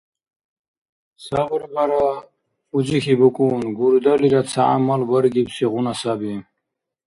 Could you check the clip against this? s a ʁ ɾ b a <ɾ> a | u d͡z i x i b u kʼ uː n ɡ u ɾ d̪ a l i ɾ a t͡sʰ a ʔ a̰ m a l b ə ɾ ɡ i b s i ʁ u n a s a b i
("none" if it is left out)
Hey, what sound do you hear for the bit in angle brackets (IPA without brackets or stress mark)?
ɾ